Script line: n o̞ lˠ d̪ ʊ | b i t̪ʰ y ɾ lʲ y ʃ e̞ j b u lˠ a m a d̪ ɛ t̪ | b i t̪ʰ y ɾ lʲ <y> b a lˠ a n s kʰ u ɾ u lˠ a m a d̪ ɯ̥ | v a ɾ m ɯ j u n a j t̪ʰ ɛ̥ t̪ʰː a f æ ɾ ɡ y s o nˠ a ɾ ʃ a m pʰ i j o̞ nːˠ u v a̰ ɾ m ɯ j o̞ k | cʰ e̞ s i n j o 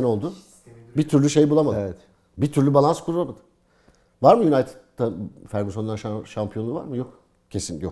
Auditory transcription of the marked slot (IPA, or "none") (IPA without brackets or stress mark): y